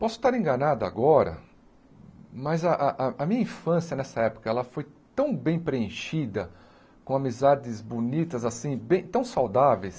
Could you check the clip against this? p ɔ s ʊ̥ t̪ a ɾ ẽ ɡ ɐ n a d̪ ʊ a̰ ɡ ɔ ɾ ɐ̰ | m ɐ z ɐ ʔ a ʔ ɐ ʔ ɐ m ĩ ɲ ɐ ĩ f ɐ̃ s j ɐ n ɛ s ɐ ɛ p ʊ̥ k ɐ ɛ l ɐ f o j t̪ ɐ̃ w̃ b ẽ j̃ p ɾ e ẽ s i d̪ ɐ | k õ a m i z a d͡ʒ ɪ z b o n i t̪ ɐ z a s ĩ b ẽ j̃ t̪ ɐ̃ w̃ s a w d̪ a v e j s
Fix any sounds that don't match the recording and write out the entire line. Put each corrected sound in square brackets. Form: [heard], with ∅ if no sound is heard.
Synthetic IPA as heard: p ɔ s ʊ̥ t̪ a ɾ ẽ ɡ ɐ n a d̪ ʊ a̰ ɡ ɔ ɾ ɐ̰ | m ɐ z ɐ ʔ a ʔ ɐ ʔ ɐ m ĩ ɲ ɐ ĩ f ɐ̃ s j ɐ n ɛ s ɐ ɛ p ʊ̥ k ɐ ɛ l ɐ f o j t̪ ɐ̃ w̃ b ẽ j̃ p ɾ e ẽ [ʃ] i d̪ ɐ | k õ a m i z a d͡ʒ ɪ z b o n i t̪ ɐ z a s ĩ b ẽ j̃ t̪ ɐ̃ w̃ s a w d̪ a v e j s